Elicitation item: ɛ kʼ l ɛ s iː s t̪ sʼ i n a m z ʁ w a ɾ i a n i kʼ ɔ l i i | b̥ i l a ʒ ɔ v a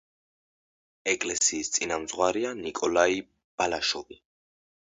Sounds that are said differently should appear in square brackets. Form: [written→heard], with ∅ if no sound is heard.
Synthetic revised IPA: ɛ kʼ l ɛ s iː s t̪ sʼ i n a m z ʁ w a ɾ i a n i kʼ ɔ l [i→a] i | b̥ [i→a] l a [ʒ→ʃ] ɔ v [a→i]